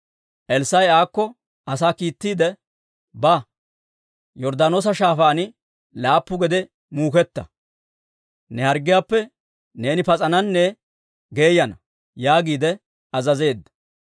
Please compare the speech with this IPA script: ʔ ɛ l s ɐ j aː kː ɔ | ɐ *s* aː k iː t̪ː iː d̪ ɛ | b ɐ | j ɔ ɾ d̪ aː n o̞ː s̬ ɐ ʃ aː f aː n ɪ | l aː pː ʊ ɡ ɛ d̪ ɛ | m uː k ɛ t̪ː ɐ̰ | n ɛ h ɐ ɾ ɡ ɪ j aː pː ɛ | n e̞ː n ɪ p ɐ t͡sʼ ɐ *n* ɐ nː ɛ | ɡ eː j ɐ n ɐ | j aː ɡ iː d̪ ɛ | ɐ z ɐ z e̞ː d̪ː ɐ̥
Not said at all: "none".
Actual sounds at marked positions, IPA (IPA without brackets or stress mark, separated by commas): s, n